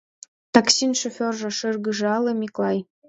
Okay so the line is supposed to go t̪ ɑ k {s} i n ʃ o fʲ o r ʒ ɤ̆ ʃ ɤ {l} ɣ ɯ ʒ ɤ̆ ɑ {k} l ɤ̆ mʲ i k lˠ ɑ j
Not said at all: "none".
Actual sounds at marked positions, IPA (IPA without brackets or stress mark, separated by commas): s, r, none